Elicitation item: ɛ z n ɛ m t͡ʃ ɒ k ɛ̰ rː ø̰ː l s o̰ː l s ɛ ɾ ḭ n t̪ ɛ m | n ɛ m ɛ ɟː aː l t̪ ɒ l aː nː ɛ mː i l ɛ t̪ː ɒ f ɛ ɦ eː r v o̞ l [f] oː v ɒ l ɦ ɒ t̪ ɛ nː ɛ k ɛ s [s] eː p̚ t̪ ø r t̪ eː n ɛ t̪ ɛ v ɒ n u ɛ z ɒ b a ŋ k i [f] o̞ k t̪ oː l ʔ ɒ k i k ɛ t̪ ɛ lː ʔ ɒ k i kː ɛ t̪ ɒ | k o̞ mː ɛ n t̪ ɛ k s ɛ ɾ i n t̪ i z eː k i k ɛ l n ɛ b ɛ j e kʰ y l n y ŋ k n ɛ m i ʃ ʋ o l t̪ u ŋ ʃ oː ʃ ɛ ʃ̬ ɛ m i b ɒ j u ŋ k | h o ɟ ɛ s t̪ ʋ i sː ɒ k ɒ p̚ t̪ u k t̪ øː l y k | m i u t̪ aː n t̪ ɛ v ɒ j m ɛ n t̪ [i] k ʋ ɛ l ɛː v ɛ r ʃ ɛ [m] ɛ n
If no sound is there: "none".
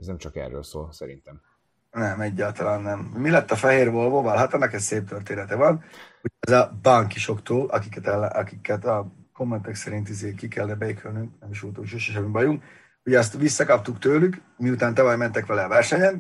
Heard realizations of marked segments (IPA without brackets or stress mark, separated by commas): v, s, ʃ, ɛ, ɲ